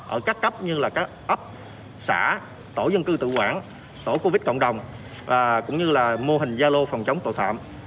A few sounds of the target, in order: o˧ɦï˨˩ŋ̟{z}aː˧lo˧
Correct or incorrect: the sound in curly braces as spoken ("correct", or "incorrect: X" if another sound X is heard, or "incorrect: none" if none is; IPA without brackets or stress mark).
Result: correct